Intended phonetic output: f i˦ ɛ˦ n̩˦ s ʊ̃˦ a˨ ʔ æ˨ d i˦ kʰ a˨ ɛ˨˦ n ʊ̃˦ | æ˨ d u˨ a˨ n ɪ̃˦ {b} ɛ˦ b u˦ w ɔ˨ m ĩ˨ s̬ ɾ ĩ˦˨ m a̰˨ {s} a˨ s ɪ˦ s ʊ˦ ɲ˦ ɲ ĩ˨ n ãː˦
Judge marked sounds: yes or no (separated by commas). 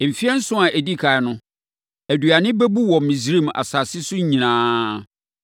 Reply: yes, yes